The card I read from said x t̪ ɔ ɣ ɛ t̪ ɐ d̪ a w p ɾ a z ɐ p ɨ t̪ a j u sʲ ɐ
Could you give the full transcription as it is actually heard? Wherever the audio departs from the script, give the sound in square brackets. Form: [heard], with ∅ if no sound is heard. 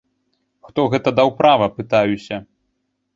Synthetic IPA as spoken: x t̪ ɔ ɣ ɛ t̪ ɐ d̪ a w p ɾ a [v] ɐ p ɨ t̪ a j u sʲ ɐ